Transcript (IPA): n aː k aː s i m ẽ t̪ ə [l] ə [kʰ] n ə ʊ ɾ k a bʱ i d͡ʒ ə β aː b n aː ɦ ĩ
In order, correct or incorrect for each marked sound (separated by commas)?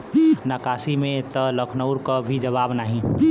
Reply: correct, correct